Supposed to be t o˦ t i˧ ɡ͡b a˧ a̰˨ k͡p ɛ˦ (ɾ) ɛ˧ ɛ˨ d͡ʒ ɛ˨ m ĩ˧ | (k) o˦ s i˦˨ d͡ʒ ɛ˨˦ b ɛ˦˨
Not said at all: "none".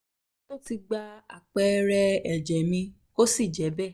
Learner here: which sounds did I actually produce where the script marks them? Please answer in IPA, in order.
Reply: ɾ, k

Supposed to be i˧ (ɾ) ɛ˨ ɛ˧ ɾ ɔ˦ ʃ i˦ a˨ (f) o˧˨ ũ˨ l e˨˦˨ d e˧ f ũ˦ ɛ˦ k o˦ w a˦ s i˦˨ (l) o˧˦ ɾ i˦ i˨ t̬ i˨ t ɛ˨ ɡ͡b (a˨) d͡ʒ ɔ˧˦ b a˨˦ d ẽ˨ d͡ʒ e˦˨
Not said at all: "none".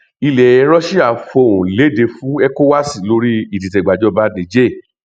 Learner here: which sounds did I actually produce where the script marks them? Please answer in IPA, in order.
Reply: l, f, l, a˨

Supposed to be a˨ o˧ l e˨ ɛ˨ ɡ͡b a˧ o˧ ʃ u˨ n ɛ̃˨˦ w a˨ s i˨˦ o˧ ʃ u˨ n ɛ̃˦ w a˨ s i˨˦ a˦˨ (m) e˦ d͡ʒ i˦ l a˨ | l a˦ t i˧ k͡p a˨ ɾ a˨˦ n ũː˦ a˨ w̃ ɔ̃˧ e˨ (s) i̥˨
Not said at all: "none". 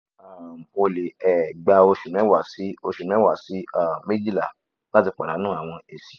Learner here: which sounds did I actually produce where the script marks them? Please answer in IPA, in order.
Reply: m, s

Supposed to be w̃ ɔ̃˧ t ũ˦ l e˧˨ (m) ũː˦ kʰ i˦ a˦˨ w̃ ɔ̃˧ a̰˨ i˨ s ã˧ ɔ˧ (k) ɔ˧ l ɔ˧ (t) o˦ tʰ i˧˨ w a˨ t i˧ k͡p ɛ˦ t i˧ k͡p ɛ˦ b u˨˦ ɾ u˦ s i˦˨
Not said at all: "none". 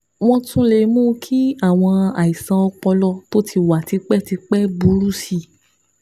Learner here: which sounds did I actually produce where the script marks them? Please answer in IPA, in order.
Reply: m, k͡p, t

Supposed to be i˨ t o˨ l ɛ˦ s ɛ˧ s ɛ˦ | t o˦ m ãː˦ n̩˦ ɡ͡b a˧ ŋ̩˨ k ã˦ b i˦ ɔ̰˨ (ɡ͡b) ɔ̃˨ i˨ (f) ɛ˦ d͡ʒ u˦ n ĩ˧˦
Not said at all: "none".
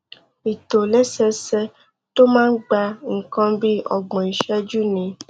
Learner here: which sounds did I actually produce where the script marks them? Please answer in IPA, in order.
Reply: ɡ͡b, ʃ

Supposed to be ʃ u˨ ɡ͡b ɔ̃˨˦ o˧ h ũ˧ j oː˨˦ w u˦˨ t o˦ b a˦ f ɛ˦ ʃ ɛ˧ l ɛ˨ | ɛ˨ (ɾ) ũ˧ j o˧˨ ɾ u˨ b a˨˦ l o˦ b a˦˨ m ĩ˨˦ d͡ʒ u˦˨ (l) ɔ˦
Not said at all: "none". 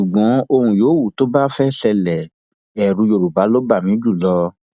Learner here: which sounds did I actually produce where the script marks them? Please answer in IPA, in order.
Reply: ɾ, l

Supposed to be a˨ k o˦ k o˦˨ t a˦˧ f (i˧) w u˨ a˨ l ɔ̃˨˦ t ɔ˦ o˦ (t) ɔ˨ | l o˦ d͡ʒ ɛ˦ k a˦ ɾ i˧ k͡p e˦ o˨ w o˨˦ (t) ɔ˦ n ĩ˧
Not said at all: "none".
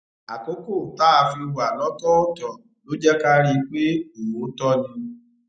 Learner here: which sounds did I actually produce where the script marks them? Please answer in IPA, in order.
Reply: i˧, t, t

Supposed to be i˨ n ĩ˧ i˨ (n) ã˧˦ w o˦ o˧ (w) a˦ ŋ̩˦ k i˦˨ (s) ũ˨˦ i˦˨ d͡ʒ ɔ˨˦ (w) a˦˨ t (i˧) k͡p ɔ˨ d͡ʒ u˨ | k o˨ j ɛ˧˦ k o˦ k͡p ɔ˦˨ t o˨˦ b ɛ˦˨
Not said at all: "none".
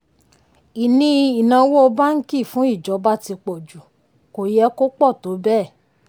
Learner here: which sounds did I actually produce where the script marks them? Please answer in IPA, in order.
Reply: n, b, f, b, i˧

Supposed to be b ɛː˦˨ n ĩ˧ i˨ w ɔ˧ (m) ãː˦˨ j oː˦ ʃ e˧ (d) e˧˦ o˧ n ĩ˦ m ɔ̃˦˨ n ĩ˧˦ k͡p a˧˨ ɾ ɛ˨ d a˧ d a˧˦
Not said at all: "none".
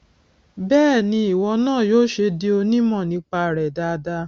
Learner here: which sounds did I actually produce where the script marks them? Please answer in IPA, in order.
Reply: n, d

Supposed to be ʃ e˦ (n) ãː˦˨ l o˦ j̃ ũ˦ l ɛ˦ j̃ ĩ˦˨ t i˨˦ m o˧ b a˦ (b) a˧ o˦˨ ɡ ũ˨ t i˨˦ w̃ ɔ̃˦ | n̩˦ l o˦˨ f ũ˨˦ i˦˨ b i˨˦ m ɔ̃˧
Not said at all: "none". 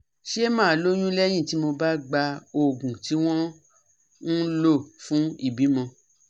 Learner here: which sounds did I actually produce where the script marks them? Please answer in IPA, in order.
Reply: m, ɡ͡b

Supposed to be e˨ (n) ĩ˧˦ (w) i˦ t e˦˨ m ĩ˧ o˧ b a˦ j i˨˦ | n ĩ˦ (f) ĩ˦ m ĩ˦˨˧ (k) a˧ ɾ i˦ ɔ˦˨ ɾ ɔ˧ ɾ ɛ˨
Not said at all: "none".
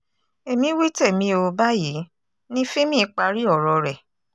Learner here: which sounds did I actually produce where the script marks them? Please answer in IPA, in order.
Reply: m, w, f, k͡p

